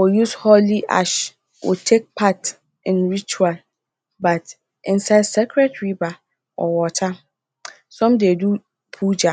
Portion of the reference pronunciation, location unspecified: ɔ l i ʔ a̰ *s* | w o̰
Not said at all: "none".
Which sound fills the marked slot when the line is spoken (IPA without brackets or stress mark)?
ʃ